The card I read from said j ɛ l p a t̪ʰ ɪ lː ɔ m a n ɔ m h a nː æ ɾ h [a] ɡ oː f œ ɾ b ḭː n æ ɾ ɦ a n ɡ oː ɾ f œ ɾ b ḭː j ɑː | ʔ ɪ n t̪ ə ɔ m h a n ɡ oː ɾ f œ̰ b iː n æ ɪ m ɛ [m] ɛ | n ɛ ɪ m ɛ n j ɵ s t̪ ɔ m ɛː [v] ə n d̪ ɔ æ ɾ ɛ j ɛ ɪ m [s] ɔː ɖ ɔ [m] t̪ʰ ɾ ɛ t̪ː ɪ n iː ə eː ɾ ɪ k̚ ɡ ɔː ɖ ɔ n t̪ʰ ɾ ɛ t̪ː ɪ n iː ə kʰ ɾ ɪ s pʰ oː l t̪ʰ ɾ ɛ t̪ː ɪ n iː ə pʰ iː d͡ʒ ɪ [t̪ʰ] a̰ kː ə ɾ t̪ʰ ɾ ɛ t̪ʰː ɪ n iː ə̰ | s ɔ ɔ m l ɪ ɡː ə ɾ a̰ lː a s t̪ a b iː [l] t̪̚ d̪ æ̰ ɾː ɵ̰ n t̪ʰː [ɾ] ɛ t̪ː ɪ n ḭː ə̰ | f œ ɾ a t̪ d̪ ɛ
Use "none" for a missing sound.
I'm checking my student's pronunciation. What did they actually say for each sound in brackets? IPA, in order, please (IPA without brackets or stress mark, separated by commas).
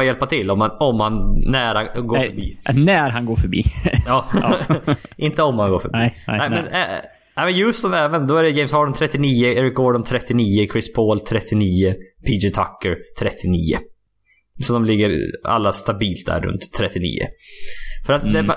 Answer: a, n, v, s, n, t̪ʰ, l, ɾ